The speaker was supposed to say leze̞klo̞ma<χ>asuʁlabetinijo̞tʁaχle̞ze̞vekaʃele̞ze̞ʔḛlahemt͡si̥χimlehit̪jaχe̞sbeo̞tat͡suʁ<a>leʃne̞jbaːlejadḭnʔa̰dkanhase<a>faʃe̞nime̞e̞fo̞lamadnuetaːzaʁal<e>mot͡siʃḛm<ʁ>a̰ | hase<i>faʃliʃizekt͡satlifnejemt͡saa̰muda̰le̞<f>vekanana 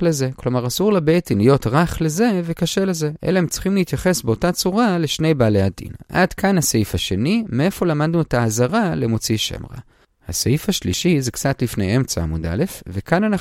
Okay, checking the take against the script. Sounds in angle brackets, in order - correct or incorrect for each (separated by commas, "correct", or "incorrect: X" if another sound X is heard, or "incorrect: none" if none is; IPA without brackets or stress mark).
incorrect: ʁ, correct, incorrect: i, correct, correct, correct, correct